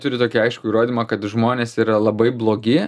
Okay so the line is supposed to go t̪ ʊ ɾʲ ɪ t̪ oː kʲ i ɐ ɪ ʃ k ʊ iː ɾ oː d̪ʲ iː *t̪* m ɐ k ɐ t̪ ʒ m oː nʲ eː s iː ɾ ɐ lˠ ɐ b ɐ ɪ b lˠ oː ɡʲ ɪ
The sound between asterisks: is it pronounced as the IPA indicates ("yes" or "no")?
no